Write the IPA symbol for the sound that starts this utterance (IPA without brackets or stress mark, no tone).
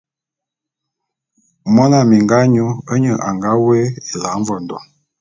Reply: m